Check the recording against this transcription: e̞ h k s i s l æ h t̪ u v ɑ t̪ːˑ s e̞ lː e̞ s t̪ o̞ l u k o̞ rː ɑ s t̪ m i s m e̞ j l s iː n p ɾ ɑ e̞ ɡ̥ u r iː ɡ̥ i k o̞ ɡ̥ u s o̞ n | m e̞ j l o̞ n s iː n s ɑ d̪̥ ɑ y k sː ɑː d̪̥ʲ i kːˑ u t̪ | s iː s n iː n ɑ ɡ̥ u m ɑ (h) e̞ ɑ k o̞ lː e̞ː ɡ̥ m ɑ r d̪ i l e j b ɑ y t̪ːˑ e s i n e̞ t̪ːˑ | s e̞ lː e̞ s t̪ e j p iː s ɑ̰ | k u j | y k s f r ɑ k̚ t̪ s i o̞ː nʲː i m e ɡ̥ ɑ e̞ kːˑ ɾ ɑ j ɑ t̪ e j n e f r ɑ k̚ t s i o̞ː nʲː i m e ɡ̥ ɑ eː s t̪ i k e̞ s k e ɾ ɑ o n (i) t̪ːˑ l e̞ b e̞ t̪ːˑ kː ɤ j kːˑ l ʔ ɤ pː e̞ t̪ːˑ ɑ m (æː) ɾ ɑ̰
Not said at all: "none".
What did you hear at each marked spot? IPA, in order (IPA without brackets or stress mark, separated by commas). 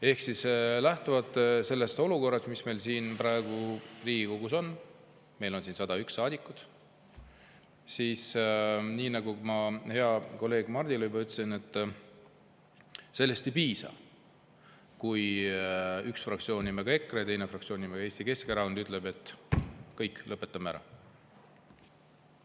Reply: h, y, æ